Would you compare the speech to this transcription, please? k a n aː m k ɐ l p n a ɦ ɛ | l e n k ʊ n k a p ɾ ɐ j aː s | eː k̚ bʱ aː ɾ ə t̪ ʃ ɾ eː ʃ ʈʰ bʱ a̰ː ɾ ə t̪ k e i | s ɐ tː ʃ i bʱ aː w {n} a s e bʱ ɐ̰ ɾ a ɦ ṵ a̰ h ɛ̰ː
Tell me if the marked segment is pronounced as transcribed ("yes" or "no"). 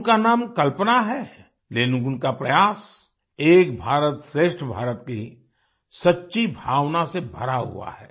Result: yes